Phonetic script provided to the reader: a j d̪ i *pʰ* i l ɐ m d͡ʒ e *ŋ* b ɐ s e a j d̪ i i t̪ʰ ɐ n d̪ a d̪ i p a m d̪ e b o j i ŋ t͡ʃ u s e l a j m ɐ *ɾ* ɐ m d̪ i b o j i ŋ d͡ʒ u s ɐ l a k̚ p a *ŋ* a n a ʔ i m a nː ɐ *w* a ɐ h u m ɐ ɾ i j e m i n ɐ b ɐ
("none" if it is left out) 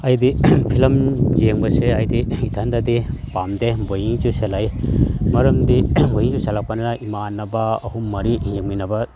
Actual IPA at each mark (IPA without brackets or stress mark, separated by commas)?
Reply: pʰ, ŋ, ɾ, n, b